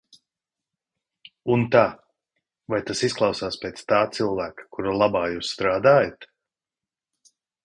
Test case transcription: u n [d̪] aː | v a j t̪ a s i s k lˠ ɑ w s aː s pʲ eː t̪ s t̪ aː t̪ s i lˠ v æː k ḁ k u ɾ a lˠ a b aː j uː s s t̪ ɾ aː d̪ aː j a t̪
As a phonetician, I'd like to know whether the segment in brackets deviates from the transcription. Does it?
yes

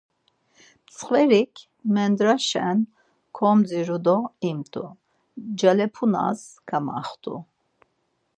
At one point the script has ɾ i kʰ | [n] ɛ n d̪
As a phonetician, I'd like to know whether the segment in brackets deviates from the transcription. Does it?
yes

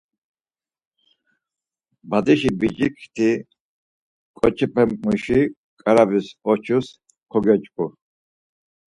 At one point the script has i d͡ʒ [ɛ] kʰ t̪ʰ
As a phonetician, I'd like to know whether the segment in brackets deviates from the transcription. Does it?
yes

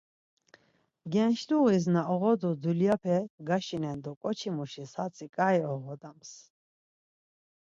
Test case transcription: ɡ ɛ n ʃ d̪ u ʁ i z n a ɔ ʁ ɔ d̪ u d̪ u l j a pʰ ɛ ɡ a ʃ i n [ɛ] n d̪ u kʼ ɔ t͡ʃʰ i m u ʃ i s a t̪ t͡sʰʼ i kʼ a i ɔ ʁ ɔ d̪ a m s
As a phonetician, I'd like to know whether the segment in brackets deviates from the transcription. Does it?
no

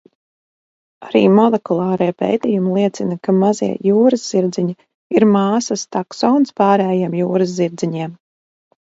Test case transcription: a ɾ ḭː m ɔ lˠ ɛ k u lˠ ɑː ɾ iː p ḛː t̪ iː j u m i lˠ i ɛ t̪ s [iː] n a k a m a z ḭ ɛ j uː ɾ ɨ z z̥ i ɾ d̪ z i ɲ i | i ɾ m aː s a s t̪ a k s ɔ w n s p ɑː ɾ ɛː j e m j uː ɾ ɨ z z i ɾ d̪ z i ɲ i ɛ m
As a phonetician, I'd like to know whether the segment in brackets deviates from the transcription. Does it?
yes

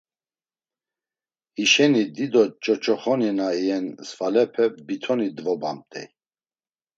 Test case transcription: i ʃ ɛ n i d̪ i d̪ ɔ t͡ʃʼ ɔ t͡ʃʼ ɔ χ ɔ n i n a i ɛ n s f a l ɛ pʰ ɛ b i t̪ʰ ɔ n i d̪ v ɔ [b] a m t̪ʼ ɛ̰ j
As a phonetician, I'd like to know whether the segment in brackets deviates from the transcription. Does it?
no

